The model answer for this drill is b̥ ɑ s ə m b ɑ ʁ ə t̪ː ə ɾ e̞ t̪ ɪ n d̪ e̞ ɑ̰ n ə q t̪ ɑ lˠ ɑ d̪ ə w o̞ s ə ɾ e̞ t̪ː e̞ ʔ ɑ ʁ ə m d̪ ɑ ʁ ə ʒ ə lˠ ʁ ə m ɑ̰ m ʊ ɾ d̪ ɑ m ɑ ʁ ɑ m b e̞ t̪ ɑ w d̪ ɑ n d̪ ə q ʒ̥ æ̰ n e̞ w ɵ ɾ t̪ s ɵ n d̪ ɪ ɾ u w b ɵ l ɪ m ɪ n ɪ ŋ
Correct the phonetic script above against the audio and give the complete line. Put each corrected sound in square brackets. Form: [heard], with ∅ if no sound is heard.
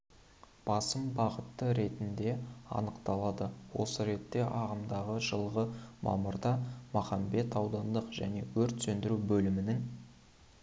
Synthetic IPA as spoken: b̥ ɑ s ə m b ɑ ʁ ə t̪ː ə ɾ e̞ t̪ ɪ n d̪ e̞ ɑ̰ n ə q t̪ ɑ lˠ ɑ d̪ ə w o̞ s ə ɾ e̞ t̪ː e̞ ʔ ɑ ʁ ə m d̪ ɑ ʁ ə ʒ ə lˠ ʁ ə m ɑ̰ m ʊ ɾ d̪ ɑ m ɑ [χ] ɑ m b e̞ t̪ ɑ w d̪ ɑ n d̪ ə q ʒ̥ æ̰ n e̞ w ɵ ɾ t̪ s ɵ n d̪ ɪ ɾ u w b ɵ l ɪ m ɪ n ɪ ŋ

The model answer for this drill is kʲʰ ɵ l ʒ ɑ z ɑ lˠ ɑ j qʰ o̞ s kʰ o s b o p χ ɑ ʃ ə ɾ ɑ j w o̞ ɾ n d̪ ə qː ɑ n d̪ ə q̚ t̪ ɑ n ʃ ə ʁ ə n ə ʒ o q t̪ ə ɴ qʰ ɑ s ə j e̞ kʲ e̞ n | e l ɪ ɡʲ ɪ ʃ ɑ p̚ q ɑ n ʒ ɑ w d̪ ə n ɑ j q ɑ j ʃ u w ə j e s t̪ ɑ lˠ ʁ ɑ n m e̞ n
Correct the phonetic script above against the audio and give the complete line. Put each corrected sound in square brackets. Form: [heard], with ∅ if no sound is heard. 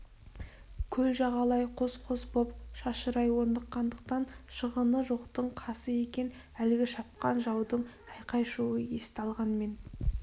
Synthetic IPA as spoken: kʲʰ ɵ l ʒ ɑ [ʁ] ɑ lˠ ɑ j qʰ o̞ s [qʰ] o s b o p [ʃ] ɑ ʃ ə ɾ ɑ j w o̞ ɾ n d̪ ə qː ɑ n d̪ ə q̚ t̪ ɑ n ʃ ə ʁ ə n ə ʒ o q t̪ ə ɴ qʰ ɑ s ə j e̞ kʲ e̞ n | [æ] l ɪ ɡʲ ɪ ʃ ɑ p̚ q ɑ n ʒ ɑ w d̪ ə [ɴ] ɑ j q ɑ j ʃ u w ə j e s t̪ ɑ lˠ ʁ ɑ n m e̞ n

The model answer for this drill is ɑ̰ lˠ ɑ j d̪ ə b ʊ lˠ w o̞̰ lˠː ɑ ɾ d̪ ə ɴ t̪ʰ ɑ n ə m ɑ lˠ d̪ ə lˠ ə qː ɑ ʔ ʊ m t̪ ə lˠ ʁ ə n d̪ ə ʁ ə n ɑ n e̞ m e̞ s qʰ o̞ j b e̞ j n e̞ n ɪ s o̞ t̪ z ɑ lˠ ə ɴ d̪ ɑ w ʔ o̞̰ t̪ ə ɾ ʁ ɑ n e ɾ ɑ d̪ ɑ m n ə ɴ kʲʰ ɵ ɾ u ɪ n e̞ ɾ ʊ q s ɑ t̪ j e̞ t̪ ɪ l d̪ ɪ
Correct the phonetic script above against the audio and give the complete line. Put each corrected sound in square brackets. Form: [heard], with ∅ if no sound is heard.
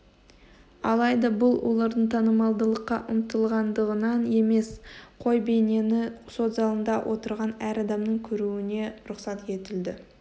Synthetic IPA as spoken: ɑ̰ lˠ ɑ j d̪ [ɑ] b ʊ lˠ w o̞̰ [lˠ] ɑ ɾ d̪ ə ɴ t̪ʰ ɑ n ə m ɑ lˠ d̪ ə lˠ ə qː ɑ ʔ ʊ m t̪ ə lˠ ʁ [ɑ] n d̪ ə ʁ ə n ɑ n e̞ m e̞ s qʰ o̞ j b e̞ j n e̞ n ɪ s o̞ t̪ z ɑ lˠ ə [n] d̪ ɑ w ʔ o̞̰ t̪ ə ɾ ʁ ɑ n [æ] ɾ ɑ d̪ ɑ m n ə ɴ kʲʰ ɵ ɾ u ɪ n e̞ ɾ ʊ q s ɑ t̪ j e̞ t̪ ɪ l d̪ ɪ

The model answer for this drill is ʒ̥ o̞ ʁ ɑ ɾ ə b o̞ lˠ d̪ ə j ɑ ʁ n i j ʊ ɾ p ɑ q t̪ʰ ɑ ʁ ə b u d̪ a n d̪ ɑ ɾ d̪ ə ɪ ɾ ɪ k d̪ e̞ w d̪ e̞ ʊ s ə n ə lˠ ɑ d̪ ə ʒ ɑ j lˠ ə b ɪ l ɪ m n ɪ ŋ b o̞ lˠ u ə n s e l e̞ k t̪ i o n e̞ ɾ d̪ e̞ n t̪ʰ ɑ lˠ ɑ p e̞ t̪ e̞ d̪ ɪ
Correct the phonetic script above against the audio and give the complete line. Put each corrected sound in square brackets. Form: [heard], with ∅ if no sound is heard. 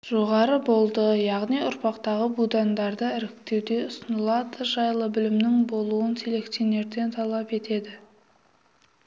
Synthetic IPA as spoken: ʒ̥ o̞ ʁ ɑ ɾ ə b o̞ lˠ d̪ ə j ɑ ʁ n i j ʊ ɾ p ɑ q [t̪] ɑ ʁ ə b u d̪ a n d̪ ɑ ɾ d̪ ə ɪ ɾ ɪ k [t̪] e̞ w d̪ e̞ ʊ s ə n ə lˠ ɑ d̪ ə ʒ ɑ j lˠ ə b ɪ l ɪ m n ɪ ŋ b o̞ lˠ u ə n s e l e̞ k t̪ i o n e̞ ɾ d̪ e̞ n t̪ʰ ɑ lˠ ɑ p e̞ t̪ e̞ d̪ ɪ

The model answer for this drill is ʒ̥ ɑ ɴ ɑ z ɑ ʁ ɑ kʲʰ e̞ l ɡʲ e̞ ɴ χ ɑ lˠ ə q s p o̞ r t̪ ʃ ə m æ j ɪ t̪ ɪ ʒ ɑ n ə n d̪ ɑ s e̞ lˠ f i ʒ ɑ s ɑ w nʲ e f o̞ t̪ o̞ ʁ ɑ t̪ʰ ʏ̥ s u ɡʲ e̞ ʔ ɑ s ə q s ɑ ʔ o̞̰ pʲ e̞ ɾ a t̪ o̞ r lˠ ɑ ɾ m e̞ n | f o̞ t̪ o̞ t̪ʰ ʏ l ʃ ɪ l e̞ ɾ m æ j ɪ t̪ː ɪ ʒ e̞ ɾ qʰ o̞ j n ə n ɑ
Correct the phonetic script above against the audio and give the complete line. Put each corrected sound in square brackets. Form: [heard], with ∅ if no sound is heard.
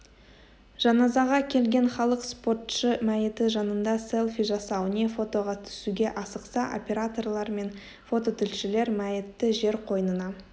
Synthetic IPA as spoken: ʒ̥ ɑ [n] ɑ z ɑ ʁ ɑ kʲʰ e̞ l ɡʲ e̞ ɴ χ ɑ lˠ ə q s p o̞ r t̪ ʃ ə m æ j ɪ t̪ ɪ ʒ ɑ n ə n d̪ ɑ s e̞ lˠ f i ʒ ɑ s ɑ w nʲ e f o̞ t̪ o̞ ʁ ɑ t̪ʰ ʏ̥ s u ɡʲ e̞ ʔ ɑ s ə q s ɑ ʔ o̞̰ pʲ e̞ ɾ a t̪ o̞ r lˠ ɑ ɾ m e̞ n | f o̞ t̪ o̞ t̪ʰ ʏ l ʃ ɪ l e̞ ɾ m æ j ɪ t̪ː ɪ ʒ e̞ ɾ qʰ o̞ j n ə n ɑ

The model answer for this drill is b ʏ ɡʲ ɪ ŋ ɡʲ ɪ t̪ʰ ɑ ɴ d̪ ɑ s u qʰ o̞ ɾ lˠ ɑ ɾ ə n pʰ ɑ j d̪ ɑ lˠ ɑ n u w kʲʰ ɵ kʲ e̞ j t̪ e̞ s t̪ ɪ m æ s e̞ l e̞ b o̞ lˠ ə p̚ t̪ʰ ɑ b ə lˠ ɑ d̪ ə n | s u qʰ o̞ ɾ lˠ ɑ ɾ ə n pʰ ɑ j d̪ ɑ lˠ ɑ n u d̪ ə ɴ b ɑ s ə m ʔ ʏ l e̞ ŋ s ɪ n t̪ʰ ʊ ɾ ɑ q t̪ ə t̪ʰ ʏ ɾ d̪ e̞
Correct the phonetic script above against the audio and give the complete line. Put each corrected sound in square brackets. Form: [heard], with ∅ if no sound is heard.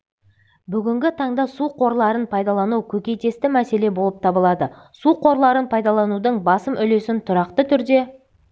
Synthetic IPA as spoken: b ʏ ɡʲ ɪ ŋ ɡʲ ɪ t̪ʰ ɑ ɴ d̪ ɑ s u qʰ o̞ ɾ lˠ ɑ ɾ ə n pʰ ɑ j d̪ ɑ lˠ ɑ n u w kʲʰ ɵ kʲ e̞ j t̪ e̞ s t̪ ɪ m æ s e̞ l e̞ b o̞ lˠ ə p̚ t̪ʰ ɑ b ə lˠ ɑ d̪ ə [∅] | s u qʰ o̞ ɾ lˠ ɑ ɾ ə n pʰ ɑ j d̪ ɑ lˠ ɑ n u d̪ ə ɴ b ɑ s ə m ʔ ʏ l e̞ [∅] s ɪ n t̪ʰ ʊ ɾ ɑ q t̪ ə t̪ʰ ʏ ɾ d̪ e̞

